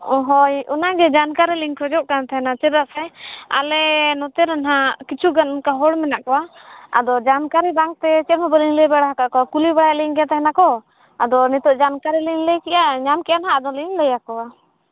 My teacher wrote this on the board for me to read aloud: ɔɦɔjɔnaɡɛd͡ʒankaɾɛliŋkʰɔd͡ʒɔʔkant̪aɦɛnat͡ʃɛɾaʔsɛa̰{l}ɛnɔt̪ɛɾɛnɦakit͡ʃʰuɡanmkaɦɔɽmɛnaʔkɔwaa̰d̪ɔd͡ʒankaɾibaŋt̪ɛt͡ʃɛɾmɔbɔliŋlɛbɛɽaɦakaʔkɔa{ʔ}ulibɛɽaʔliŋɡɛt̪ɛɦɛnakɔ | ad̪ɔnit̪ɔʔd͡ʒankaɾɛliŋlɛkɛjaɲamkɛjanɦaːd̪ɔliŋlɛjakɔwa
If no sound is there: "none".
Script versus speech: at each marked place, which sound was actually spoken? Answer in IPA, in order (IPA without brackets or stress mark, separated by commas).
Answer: l, k